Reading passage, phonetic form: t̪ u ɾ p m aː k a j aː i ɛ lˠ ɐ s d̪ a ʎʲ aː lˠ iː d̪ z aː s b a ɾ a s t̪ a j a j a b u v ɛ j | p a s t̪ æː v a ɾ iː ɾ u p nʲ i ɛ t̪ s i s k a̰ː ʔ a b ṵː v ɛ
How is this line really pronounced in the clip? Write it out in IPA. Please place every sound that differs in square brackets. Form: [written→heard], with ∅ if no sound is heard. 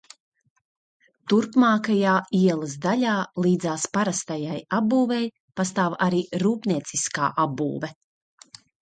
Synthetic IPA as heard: t̪ u ɾ p m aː k a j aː i ɛ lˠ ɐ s d̪ a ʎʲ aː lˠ iː d̪ z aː s [b→p] a ɾ a s t̪ a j a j a b [u→uː] v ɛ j | p a s t̪ [æː→aː] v a ɾ iː ɾ [u→uː] p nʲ i ɛ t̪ s i s k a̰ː ʔ a b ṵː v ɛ